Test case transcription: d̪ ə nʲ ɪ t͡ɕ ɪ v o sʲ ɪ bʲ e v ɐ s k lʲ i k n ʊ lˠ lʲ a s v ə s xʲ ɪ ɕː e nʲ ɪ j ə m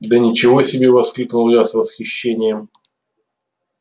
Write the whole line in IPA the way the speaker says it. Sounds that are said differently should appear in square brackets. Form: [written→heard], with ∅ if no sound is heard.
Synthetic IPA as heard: d̪ ə nʲ ɪ t͡ɕ ɪ v o sʲ ɪ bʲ e v ɐ s k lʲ i k n ʊ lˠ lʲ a s v ə s xʲ ɪ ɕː e nʲ ɪ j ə m